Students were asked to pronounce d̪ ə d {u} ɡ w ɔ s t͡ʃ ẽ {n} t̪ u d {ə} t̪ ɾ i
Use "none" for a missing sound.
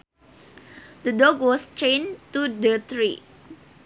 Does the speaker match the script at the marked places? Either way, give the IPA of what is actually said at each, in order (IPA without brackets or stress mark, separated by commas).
ɔ, n, ə